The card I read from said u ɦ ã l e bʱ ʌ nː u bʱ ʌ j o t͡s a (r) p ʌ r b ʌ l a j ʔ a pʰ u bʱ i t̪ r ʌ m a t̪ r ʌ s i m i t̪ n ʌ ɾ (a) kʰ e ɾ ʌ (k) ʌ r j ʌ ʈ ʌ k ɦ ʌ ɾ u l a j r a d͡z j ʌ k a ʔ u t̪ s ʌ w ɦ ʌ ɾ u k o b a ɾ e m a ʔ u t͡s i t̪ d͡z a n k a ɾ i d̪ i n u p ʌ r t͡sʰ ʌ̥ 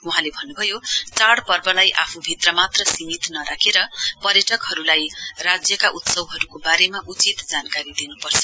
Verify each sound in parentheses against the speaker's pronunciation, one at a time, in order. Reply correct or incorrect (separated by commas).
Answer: incorrect, correct, incorrect